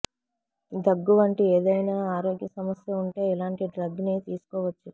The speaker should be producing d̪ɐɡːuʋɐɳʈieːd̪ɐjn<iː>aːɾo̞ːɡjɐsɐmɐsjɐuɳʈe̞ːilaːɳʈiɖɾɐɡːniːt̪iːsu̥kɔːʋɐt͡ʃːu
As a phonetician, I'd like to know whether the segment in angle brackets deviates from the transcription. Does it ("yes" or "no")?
yes